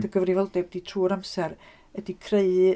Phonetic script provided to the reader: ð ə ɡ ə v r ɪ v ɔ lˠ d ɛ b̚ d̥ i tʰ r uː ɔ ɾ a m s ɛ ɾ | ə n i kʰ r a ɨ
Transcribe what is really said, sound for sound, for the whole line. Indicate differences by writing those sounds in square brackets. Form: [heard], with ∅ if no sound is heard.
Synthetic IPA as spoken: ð ə ɡ ə v r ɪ v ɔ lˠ d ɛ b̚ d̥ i tʰ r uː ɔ ɾ a m s ɛ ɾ | ə [d] i kʰ r [e] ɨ